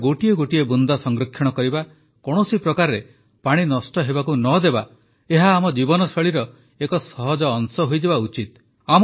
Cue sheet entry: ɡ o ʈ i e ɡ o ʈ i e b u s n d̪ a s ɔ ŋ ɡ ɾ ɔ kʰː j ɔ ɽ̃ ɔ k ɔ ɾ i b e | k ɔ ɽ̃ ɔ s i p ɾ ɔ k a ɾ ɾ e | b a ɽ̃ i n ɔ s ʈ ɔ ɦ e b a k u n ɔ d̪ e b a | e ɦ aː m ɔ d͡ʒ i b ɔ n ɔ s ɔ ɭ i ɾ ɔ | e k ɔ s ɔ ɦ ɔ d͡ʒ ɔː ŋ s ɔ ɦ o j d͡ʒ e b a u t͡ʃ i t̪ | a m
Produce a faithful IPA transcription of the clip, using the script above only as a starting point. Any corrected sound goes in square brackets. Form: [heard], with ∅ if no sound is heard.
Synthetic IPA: ɡ o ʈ i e ɡ o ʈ i e b u [∅] n d̪ a s ɔ ŋ ɡ ɾ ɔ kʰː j ɔ ɽ̃ ɔ k ɔ ɾ i b [a] | k ɔ ɽ̃ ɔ s i p ɾ ɔ k a ɾ ɾ e | [p] a ɽ̃ i n ɔ s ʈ ɔ ɦ e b a k u n ɔ d̪ e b a | e ɦ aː m ɔ d͡ʒ i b ɔ n ɔ s ɔ ɭ i ɾ ɔ | e k ɔ s ɔ ɦ ɔ d͡ʒ ɔː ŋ s ɔ ɦ o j d͡ʒ e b a u t͡ʃ i t̪ | a m